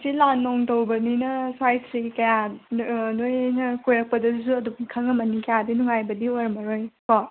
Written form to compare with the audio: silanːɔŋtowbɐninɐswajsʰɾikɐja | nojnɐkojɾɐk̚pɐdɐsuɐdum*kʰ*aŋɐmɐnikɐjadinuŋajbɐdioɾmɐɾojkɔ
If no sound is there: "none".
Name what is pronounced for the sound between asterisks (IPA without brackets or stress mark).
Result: kʰ